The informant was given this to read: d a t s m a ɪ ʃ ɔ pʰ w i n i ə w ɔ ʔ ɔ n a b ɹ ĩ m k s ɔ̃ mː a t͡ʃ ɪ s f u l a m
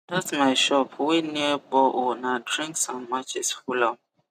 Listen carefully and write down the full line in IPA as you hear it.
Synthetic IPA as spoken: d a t s m a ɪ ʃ ɔ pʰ w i n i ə b ɔ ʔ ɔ n a d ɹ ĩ ŋ k s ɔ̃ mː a t͡ʃ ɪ s f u l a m

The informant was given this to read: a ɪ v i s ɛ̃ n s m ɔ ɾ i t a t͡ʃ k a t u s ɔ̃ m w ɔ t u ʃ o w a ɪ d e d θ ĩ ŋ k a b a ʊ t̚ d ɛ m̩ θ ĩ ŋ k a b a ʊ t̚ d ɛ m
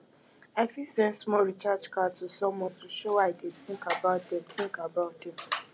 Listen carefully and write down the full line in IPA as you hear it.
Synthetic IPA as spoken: a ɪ f i s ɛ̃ n s m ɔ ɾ i t͡ʃ a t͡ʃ k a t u s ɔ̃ m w ɔ t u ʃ o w a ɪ d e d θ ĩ ŋ k a b a ʊ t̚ d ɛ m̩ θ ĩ ŋ k a b a ʊ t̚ d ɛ m

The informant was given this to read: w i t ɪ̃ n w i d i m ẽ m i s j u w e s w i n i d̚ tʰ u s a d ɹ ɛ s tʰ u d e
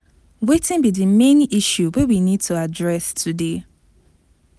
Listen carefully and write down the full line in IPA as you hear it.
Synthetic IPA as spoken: w e t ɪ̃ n b i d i m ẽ n i ʃ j u w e w i n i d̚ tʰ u a d ɹ ɛ s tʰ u d e

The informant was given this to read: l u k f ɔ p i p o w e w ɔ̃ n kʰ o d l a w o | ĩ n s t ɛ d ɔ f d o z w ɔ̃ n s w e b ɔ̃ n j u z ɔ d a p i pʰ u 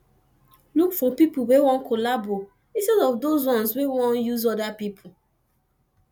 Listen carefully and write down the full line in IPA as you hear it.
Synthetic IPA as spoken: l u k f ɔ p i p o w e w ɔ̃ n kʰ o l a b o | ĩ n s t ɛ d ɔ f d o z w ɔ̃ n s w e w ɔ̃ n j u z ɔ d a p i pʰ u

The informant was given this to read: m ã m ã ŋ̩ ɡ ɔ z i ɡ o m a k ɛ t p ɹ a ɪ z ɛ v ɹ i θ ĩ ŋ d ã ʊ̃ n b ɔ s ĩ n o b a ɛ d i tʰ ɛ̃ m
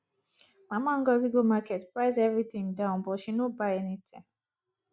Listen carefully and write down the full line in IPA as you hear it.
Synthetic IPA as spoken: m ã m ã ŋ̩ ɡ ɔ z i ɡ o m a k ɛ t p ɹ a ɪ z ɛ v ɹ i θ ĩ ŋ d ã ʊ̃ n b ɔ ʃ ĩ n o b a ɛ n i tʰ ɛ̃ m

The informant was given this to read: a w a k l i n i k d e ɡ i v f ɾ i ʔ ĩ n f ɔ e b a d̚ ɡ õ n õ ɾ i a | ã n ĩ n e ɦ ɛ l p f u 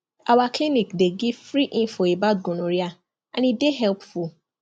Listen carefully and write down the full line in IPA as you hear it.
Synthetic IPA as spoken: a w a k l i n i k d e ɡ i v f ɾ i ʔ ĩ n f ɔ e b a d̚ ɡ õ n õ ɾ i a | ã n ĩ d e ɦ ɛ l p f u

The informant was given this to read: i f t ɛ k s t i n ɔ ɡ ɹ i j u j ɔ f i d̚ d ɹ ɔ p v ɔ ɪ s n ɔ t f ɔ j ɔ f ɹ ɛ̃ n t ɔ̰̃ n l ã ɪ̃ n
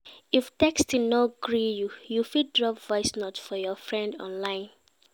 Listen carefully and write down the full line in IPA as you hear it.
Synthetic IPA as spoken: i f t ɛ k s t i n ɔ ɡ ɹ i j u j u f i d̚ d ɹ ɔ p v ɔ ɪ s n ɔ t f ɔ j ɔ f ɹ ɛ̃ n d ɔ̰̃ n l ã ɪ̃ n

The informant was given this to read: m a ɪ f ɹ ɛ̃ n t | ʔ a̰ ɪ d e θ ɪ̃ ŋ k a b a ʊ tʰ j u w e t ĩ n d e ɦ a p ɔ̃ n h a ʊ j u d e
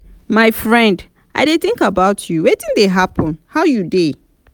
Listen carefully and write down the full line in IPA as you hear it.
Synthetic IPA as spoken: m a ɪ f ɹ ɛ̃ n d | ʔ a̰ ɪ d e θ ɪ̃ ŋ k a b a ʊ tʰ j u w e t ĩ n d e ɦ a p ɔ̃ n h a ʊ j u d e

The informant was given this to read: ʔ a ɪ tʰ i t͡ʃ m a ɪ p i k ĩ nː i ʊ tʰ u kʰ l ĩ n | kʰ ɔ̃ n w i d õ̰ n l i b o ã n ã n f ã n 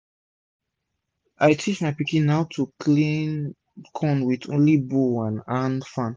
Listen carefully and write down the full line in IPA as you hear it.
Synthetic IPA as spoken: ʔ a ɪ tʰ i t͡ʃ m a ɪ p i k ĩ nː a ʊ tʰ u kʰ l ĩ n | kʰ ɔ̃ n w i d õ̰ n l i b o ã n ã n f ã n

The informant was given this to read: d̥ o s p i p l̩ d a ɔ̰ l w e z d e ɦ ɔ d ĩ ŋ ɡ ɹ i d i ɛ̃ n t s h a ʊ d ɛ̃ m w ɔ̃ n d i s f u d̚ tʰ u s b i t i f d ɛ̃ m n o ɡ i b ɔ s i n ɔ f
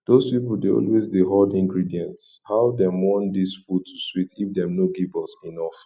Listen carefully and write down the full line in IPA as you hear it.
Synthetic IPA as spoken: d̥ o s p i p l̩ d e ɔ̰ l w e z d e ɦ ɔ d ĩ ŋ ɡ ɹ i d i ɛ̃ n t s h a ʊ d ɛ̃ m w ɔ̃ n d i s f u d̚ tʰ u s w i t i f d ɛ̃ m n o ɡ i v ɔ s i n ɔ f

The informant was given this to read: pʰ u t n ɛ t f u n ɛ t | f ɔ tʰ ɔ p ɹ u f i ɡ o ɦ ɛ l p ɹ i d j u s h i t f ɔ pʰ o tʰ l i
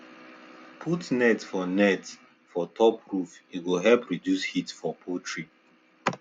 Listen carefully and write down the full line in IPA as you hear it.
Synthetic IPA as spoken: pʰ u t n ɛ t f ɔ n ɛ t | f ɔ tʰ ɔ p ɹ u f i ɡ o ɦ ɛ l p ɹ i d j u s h i t f ɔ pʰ o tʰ ɹ i

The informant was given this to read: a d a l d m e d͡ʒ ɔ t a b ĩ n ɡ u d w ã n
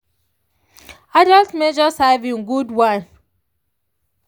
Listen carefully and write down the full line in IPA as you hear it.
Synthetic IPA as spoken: a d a l t m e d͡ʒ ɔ s a v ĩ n ɡ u d w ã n

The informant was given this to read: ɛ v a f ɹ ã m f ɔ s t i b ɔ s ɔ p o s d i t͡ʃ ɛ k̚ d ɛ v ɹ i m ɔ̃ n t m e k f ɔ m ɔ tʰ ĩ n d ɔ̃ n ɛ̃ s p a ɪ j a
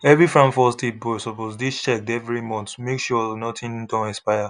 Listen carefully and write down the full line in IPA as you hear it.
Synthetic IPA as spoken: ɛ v i f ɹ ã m f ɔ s t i b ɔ s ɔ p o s d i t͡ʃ ɛ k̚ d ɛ v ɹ i m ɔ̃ n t m e k ʃ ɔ n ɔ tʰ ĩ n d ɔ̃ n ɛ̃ s p a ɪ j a

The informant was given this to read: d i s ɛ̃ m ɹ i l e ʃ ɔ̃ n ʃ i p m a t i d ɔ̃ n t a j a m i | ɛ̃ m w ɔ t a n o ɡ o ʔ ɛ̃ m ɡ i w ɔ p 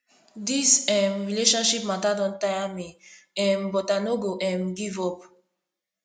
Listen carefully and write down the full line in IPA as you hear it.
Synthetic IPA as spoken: d i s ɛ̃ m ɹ i l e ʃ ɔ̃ n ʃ i p m a t a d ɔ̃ n t a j a m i | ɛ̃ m b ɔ t a n o ɡ o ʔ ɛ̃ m ɡ i v ɔ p

